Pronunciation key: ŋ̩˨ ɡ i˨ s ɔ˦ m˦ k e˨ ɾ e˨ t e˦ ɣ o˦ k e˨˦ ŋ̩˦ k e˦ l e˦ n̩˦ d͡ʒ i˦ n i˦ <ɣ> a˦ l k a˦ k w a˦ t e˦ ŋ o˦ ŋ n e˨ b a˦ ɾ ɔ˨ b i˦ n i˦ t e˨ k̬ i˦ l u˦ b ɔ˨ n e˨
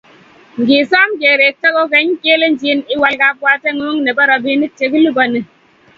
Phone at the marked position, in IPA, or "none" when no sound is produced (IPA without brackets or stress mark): w